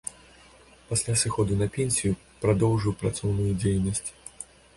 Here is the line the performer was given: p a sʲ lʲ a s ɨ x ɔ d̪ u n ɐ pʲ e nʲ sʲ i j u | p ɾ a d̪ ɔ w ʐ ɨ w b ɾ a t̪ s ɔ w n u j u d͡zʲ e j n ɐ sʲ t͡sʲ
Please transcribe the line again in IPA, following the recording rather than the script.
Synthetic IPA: p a sʲ lʲ a s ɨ x ɔ d̪ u n ɐ pʲ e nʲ sʲ i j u | p ɾ a d̪ ɔ w ʐ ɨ w p ɾ a t̪ s ɔ w n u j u d͡zʲ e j n ɐ sʲ t͡sʲ